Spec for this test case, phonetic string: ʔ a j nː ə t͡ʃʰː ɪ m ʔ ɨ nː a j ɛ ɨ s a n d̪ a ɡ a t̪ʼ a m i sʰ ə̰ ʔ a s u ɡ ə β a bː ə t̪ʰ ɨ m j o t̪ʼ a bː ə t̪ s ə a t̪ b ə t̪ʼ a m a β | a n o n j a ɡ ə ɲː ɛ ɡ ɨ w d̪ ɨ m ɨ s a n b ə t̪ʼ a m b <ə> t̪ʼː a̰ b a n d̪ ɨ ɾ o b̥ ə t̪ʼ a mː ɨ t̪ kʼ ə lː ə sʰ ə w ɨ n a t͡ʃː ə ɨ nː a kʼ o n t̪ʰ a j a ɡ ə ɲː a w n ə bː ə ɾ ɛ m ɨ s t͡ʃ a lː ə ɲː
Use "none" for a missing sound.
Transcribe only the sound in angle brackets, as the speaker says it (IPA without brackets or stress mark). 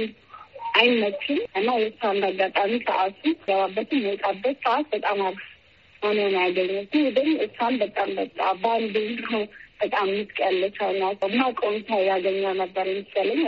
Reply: ə